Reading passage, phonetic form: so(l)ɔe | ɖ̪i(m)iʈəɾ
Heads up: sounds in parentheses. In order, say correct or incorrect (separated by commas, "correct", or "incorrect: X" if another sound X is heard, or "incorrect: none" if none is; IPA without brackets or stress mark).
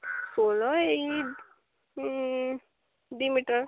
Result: correct, correct